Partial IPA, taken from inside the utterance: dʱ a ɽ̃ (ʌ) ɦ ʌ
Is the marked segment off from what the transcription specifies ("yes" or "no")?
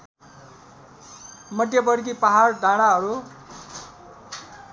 yes